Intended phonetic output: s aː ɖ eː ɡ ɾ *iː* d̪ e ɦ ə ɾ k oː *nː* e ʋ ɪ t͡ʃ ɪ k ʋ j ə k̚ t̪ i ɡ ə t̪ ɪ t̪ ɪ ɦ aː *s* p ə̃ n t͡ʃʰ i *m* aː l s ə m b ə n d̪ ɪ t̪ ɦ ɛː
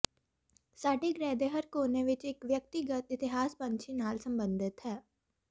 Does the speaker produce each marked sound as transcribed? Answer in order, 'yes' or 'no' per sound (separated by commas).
no, no, yes, no